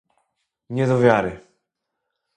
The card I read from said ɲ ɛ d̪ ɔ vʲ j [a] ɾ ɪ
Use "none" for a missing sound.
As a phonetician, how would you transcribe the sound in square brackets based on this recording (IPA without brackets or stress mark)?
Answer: a